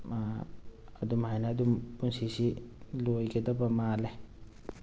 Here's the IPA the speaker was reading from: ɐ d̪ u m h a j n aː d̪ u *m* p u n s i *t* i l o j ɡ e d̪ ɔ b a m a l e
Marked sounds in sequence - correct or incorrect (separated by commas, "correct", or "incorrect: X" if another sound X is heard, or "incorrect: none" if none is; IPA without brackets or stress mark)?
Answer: correct, incorrect: s